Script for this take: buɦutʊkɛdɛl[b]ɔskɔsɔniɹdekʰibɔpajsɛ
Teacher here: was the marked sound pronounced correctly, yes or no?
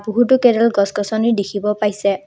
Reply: no